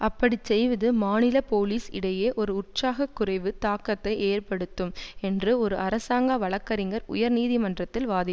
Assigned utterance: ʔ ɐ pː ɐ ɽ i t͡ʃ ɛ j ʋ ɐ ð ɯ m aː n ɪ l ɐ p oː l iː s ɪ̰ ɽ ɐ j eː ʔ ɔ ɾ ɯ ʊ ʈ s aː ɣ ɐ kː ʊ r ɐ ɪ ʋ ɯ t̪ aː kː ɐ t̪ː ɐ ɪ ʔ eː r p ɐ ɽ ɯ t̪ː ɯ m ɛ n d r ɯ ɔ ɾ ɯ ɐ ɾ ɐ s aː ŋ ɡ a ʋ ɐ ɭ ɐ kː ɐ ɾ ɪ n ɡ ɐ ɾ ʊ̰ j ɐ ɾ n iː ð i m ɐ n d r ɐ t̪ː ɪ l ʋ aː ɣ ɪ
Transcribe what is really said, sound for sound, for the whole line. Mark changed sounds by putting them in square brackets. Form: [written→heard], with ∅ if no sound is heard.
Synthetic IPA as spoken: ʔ ɐ pː ɐ ɽ i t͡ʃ ɛ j ʋ ɐ ð ɯ m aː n ɪ l ɐ p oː l iː s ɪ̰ ɽ ɐ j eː ʔ ɔ ɾ ɯ ʊ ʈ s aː ɣ ɐ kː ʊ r ɐ ɪ ʋ ɯ t̪ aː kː ɐ t̪ː ɐ ɪ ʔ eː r p ɐ ɽ ɯ t̪ː ɯ m ɛ n d r ɯ ɔ ɾ ɯ ɐ ɾ ɐ s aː ŋ ɡ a ʋ ɐ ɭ ɐ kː ɐ ɾ ɪ [n→ŋ] ɡ ɐ ɾ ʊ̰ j ɐ ɾ n iː ð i m ɐ n d r ɐ t̪ː ɪ l ʋ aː [ɣ→ð] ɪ